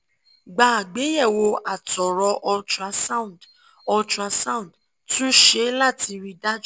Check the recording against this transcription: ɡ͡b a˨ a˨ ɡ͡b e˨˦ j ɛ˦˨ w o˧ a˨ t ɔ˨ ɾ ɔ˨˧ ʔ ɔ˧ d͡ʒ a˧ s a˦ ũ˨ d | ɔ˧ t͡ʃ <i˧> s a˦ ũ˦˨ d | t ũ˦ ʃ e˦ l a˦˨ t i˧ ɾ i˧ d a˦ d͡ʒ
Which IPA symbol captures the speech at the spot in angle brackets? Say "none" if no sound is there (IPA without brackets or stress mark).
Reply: a˧